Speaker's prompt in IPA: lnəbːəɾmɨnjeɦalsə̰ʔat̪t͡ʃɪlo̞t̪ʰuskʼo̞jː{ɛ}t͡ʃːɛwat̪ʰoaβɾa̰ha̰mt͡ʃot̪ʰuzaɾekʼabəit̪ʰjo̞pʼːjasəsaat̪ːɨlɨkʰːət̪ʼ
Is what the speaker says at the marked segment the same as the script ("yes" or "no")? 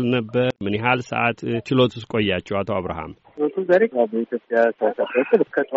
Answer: no